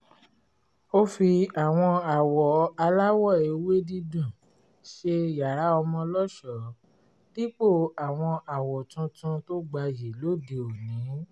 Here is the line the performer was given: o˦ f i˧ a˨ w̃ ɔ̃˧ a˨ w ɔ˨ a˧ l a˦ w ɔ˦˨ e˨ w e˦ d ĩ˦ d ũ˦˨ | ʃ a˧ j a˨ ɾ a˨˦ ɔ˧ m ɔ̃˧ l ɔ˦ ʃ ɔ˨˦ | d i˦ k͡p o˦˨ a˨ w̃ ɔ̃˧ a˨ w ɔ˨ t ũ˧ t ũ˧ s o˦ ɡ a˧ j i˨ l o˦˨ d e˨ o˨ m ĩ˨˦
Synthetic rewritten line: o˦ f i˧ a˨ w̃ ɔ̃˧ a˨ w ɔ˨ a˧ l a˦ w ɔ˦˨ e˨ w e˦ d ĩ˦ d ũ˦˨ | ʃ e˧ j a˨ ɾ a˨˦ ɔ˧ m ɔ̃˧ l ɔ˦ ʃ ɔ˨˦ | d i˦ k͡p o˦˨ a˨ w̃ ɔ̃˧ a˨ w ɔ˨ t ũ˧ t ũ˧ t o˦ ɡ͡b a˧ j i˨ l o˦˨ d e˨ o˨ n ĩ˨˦